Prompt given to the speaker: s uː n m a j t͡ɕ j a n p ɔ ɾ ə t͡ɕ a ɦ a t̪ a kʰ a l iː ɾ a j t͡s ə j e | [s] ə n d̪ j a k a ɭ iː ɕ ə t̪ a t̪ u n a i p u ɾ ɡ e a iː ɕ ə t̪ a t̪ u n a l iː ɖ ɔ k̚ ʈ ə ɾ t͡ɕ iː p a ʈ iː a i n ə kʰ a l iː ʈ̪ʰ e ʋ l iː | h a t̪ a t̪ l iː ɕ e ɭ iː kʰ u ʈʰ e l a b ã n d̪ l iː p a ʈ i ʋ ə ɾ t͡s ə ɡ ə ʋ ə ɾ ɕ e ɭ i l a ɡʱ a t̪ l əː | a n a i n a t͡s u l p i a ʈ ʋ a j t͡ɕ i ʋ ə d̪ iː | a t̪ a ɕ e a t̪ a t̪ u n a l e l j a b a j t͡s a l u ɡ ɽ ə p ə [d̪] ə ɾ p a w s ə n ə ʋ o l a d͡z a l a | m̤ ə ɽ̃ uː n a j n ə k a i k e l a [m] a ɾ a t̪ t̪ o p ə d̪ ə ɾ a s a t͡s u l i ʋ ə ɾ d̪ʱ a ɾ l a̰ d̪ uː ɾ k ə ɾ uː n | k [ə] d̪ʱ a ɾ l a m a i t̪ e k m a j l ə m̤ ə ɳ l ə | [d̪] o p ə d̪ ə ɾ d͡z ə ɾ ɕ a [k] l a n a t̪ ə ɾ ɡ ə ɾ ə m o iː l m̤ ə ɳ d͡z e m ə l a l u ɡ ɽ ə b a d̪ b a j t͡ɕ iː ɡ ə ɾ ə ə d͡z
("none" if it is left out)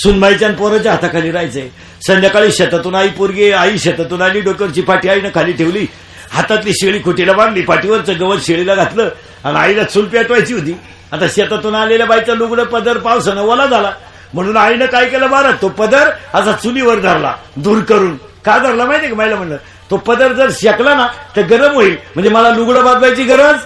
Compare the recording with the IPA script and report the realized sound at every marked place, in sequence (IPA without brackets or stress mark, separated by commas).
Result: s, d̪, b, a, t̪, k